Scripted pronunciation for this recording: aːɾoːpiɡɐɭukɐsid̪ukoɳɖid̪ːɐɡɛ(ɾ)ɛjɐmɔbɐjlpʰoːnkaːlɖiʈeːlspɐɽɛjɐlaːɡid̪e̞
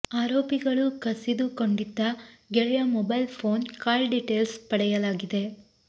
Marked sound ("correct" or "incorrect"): incorrect